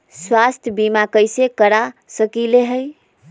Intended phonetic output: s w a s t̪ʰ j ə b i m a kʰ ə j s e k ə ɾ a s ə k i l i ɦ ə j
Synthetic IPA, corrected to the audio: s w a s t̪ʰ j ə b i m a k ə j s e k ə ɾ a s ə k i l e ɦ ə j